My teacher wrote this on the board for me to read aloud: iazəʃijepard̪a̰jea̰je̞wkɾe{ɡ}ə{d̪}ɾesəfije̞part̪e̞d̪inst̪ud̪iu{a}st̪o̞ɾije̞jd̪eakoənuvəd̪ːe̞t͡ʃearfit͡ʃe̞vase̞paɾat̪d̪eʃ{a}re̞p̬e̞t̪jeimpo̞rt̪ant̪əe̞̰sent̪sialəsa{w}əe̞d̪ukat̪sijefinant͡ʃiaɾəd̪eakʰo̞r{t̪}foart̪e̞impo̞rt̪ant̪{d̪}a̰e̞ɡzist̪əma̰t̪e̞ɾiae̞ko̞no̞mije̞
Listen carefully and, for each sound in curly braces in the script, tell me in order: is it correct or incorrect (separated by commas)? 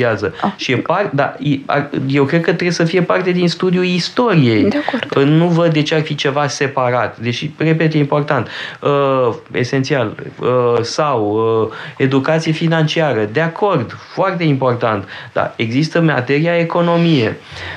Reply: incorrect, incorrect, incorrect, incorrect, correct, incorrect, correct